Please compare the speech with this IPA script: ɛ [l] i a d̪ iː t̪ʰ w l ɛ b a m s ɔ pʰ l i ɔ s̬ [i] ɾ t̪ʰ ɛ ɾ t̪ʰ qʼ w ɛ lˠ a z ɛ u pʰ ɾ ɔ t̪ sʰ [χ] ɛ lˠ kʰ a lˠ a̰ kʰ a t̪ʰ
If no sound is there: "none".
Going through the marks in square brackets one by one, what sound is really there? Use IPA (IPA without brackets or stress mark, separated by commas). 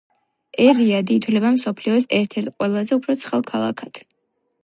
ɾ, ɛ, χ